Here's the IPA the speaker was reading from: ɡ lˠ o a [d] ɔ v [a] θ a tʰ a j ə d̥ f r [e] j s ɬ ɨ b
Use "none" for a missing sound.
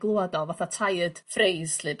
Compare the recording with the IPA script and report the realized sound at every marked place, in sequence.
d, a, e

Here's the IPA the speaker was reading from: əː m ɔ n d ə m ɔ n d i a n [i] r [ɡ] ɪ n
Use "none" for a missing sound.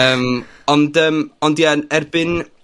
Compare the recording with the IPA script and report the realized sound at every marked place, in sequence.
ɛ, b

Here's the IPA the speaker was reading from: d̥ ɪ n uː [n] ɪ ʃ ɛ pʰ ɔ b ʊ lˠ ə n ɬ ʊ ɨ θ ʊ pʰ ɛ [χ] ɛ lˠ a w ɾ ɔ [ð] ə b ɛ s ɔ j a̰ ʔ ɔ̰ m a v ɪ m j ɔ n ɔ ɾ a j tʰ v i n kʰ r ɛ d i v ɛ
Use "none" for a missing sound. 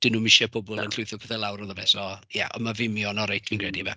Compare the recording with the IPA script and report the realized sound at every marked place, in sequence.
m, θ, ð

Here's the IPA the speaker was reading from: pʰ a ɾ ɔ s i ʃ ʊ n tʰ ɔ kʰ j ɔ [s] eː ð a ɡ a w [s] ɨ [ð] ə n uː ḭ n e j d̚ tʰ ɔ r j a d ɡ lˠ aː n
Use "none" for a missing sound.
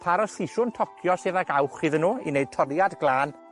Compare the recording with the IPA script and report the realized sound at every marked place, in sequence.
s, χ, ð

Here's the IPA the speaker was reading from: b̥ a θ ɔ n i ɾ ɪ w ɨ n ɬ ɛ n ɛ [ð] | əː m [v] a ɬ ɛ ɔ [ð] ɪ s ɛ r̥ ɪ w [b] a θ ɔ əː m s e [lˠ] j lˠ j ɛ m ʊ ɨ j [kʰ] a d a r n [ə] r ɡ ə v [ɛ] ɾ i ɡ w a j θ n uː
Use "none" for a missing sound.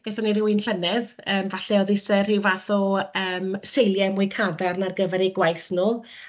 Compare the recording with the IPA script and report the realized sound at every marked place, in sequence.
ð, v, ð, v, none, kʰ, a, ɛ

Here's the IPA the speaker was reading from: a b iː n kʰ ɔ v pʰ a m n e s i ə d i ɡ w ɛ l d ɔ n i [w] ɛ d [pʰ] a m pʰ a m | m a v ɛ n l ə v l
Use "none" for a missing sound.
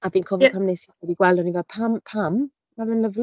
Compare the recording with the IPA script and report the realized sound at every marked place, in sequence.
v, pʰ

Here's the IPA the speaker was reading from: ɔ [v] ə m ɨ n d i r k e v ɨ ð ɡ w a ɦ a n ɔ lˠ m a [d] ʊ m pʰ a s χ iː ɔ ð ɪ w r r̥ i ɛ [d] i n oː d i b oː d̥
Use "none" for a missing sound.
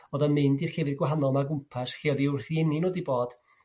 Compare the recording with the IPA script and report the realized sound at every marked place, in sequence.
ð, ɡ, n

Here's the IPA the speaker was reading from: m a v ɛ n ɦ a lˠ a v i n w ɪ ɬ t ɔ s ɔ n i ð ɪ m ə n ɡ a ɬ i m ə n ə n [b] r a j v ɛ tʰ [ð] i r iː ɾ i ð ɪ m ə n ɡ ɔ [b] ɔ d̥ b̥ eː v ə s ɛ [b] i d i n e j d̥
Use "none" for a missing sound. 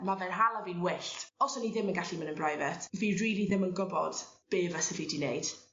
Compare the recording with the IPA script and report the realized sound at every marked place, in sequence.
b, v, b, v

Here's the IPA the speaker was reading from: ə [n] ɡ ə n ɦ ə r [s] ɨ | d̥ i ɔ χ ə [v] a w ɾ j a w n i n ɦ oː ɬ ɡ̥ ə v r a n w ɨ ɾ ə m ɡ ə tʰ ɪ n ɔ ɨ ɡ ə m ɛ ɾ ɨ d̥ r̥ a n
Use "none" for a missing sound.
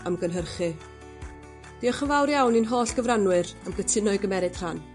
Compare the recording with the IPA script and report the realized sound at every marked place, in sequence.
m, χ, v

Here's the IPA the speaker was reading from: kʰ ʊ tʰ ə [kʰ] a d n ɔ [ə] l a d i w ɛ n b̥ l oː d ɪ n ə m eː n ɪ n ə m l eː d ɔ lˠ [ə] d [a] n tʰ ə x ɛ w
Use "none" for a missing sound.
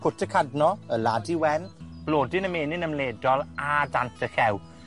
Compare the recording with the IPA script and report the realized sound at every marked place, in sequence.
kʰ, ə, a, a

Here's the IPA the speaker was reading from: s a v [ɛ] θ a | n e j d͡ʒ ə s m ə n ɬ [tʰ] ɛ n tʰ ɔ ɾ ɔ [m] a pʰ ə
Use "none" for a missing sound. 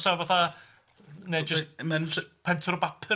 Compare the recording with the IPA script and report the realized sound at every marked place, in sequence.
a, pʰ, b

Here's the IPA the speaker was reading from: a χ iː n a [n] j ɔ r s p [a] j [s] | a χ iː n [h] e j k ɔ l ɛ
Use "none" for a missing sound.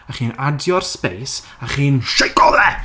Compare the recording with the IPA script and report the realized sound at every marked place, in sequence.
d, e, s, ʃ

